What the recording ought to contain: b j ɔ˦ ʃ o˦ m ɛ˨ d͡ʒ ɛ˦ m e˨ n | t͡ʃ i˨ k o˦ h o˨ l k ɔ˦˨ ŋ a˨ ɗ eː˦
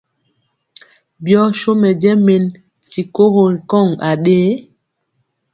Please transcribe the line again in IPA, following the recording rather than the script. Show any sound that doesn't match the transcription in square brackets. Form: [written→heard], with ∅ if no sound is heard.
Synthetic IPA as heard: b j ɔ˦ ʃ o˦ m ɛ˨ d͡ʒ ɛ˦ m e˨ n | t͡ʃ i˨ k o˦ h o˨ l k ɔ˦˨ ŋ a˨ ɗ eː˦